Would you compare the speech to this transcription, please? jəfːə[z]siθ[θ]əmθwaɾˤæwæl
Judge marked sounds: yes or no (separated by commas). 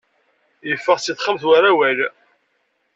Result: no, no